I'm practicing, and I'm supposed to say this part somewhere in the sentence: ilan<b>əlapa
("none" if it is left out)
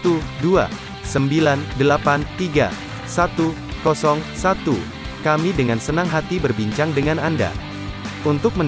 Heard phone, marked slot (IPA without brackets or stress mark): d